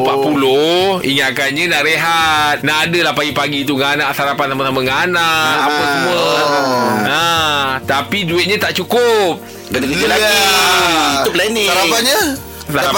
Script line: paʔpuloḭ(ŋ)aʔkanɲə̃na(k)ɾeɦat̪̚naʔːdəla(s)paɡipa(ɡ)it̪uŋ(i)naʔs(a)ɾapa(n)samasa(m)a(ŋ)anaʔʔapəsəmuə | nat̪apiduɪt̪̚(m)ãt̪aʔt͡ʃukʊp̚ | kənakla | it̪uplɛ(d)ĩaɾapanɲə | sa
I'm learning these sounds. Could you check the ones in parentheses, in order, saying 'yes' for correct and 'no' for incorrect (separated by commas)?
yes, no, no, yes, no, yes, yes, yes, yes, no, no